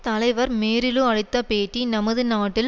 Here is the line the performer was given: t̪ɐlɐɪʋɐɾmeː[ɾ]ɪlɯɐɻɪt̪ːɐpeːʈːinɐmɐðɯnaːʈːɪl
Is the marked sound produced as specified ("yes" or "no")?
yes